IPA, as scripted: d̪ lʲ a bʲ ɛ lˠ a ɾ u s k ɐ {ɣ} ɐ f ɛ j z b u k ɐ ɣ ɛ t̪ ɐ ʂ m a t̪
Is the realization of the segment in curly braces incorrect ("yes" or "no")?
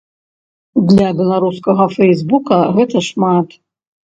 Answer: no